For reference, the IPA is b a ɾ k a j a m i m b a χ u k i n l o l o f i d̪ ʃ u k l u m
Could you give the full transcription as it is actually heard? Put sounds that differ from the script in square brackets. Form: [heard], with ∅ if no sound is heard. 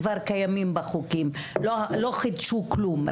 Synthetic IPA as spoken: [v] a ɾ k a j a m i m b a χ u k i [m] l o l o [χ] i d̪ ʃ u k l u m